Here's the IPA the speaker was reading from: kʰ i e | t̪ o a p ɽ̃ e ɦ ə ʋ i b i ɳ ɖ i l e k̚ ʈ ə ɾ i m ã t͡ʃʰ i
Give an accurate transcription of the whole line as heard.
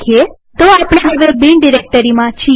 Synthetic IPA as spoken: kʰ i e | t̪ o a p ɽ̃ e ɦ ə ʋ e b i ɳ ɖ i ɾ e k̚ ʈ ə ɾ i m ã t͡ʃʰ i